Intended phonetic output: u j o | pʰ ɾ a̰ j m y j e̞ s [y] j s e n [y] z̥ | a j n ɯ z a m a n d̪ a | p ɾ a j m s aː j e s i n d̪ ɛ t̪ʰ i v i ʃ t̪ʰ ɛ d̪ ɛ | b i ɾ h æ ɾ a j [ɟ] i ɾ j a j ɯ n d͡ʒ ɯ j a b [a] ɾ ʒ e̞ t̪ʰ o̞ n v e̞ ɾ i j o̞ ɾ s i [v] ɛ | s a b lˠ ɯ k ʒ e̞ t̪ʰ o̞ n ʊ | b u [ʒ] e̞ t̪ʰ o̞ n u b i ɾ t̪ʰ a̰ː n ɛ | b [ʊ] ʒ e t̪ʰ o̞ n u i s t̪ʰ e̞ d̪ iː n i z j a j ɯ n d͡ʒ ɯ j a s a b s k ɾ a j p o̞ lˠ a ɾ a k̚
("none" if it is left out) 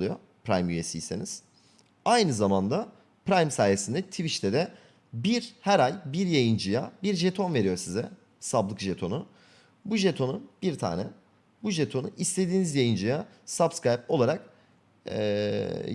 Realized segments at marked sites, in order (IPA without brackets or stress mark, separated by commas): i, i, b, i, z, ʒ, u